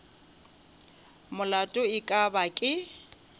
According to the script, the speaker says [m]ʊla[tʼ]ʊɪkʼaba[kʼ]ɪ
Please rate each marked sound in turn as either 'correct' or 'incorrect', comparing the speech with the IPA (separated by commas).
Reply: correct, correct, correct